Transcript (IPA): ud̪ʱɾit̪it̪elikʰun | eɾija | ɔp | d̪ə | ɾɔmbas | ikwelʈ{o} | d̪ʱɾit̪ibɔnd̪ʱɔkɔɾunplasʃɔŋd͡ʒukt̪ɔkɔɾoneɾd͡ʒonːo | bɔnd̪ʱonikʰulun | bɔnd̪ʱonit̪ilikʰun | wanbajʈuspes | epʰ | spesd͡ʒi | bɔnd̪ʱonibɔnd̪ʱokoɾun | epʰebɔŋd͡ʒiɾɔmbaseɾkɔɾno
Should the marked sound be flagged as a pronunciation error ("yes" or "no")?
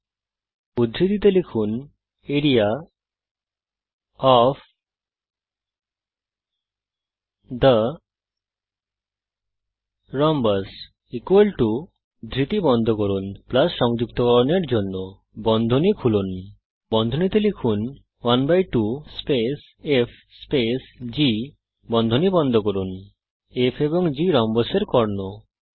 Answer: yes